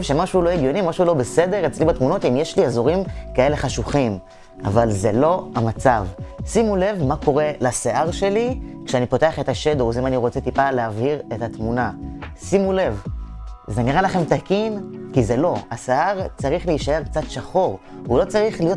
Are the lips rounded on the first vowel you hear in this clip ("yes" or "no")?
no